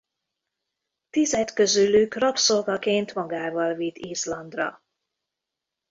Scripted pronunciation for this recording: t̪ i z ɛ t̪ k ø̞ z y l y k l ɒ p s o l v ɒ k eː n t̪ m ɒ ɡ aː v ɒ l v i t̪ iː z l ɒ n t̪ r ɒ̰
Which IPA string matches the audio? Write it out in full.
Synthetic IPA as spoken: t̪ i z ɛ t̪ k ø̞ z y l y k r ɒ p s o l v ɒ k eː n t̪ m ɒ ɡ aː v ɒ l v i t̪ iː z l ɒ n d̪ r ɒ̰

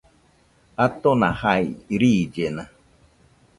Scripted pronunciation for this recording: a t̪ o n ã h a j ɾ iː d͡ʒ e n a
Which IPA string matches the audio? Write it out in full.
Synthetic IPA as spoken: a t̪ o n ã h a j ɾ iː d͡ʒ e n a

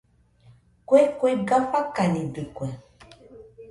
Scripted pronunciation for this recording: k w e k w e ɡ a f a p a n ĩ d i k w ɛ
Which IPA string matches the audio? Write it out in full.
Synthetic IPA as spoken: k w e k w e ɡ a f a k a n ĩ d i k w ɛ

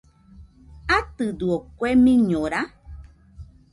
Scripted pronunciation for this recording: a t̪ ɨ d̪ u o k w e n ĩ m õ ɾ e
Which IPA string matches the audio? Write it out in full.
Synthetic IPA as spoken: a t̪ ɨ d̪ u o k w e m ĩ ɲ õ ɾ a

